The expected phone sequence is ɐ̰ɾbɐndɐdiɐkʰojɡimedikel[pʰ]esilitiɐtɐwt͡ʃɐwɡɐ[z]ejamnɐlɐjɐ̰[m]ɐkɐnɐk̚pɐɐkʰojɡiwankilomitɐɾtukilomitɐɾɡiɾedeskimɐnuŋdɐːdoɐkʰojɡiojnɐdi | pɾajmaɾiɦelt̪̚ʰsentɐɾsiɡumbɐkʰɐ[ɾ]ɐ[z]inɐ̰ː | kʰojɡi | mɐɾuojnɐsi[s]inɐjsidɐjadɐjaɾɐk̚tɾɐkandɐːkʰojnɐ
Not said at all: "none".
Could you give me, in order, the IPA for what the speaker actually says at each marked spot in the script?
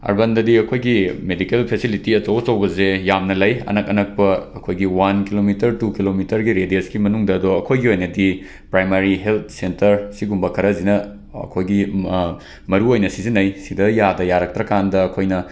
pʰ, z, n, ɾ, z, z

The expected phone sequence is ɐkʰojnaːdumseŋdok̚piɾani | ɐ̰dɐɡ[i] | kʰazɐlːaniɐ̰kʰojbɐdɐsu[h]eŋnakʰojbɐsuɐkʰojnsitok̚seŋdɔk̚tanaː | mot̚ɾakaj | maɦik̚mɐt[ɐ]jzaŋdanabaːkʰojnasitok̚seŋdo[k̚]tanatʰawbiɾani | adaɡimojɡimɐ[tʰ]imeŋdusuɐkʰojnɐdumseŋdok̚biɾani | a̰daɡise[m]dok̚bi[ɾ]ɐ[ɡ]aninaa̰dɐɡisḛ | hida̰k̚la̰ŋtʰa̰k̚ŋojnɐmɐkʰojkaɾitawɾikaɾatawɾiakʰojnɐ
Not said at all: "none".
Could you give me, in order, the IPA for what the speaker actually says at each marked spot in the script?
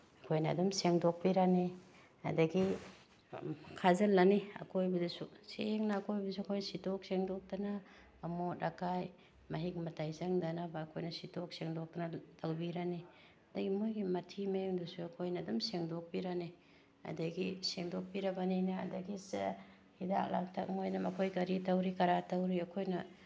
i, s, a, k̚, tʰ, ŋ, ɾ, b

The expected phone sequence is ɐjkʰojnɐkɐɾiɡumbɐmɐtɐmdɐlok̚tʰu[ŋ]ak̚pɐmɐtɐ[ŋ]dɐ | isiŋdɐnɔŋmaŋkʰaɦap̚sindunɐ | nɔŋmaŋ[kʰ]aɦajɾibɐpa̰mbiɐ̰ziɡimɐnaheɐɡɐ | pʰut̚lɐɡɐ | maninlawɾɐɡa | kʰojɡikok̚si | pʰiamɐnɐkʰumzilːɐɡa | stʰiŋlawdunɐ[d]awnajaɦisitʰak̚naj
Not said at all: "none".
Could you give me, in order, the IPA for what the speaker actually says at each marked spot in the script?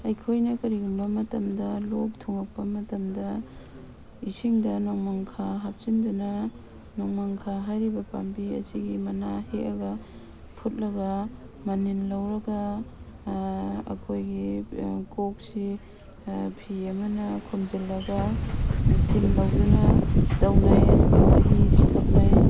ŋ, m, kʰ, d

